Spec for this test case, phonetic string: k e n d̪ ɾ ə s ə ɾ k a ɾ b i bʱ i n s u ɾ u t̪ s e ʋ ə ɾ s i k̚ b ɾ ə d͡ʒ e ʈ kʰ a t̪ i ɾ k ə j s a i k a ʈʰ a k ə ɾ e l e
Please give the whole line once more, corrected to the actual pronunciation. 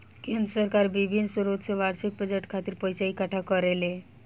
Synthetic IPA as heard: k e n d̪ ɾ ə s ə ɾ k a ɾ b i bʱ i n s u ɾ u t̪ s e ʋ a ɾ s i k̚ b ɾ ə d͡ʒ e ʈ kʰ a t̪ i ɾ p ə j s a i k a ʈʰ a k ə ɾ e l e